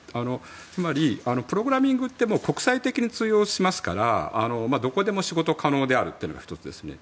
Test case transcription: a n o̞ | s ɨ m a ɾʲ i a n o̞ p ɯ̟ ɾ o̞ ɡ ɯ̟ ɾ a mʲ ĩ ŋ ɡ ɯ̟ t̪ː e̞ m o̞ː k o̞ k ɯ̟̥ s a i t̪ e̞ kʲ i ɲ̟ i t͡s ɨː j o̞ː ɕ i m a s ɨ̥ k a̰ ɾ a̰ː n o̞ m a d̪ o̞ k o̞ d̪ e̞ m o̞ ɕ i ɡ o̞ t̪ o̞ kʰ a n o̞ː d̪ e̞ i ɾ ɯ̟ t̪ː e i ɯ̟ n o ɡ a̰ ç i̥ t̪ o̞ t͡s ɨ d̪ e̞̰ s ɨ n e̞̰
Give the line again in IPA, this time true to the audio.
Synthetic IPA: a n o̞ | t͡s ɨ m a ɾʲ i a n o̞ p ɯ̟ ɾ o̞ ɡ ɯ̟ ɾ a mʲ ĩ ŋ ɡ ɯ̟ t̪ː e̞ m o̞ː k o̞ k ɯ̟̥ s a i t̪ e̞ kʲ i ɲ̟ i t͡s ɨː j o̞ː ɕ i m a s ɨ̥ k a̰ ɾ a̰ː n o̞ m a d̪ o̞ k o̞ d̪ e̞ m o̞ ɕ i ɡ o̞ t̪ o̞ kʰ a n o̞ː d̪ e̞ a ɾ ɯ̟ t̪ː e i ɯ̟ n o ɡ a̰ ç i̥ t̪ o̞ t͡s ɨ d̪ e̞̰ s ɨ n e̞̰